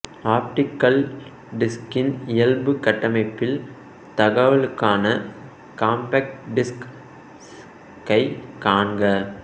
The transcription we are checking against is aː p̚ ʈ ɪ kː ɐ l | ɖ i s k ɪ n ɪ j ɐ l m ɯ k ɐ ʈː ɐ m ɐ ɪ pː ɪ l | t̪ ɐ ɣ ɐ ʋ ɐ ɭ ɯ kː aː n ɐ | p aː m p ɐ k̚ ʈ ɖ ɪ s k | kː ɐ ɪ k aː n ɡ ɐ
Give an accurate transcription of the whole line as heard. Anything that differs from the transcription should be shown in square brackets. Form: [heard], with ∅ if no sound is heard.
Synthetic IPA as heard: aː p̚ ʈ ɪ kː ɐ l | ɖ [ɪ] s k ɪ n ɪ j ɐ l [b] ɯ k ɐ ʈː ɐ m ɐ ɪ pː ɪ l | t̪ ɐ ɣ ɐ ʋ ɐ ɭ ɯ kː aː n ɐ | [k] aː m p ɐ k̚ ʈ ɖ ɪ s k | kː ɐ ɪ k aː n ɡ ɐ